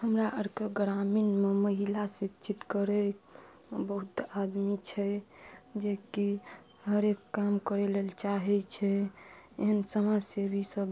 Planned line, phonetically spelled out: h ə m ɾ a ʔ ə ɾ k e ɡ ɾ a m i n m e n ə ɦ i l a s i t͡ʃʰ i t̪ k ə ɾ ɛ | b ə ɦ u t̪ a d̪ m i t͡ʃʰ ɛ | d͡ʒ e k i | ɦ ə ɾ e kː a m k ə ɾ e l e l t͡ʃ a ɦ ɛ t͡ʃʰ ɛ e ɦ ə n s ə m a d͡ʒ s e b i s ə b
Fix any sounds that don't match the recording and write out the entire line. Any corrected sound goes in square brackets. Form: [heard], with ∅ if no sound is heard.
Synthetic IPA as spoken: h ə m ɾ a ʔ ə ɾ k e ɡ ɾ a m i n m e [m] ə ɦ i l a s i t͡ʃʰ i t̪ k ə ɾ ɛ | b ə ɦ u t̪ a d̪ m i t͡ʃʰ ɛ | d͡ʒ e k i | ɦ ə ɾ e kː a m k ə ɾ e l e l t͡ʃ a ɦ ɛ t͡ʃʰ ɛ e ɦ ə n s ə m a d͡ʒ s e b i s ə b